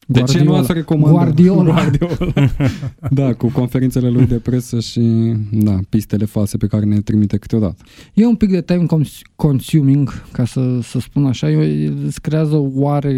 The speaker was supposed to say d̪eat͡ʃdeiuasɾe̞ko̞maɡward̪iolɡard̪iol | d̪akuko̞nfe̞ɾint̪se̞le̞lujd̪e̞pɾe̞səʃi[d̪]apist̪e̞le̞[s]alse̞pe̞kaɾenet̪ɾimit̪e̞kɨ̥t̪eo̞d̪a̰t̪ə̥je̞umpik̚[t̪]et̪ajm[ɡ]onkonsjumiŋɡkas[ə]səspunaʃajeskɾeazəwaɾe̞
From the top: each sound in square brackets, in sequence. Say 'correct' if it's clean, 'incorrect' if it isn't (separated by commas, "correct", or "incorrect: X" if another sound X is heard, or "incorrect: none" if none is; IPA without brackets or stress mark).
correct, incorrect: f, incorrect: d̪, incorrect: k, correct